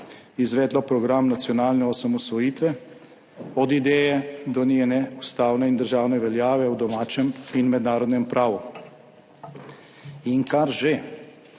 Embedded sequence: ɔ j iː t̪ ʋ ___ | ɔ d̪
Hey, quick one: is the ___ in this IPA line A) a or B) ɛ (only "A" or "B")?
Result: B